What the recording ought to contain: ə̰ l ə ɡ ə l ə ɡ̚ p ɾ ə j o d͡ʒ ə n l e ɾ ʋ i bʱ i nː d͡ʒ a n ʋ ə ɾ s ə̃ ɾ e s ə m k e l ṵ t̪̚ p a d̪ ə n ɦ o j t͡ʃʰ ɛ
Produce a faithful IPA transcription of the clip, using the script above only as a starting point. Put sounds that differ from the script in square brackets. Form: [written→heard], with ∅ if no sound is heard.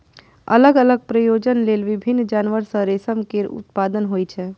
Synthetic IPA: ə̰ l ə ɡ ə l ə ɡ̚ p ɾ ə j o d͡ʒ ə n l e [ɾ→l] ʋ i bʱ i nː d͡ʒ a n ʋ ə ɾ s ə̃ ɾ e s ə m k e [l→ɾ] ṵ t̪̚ p a d̪ ə n ɦ o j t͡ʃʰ ɛ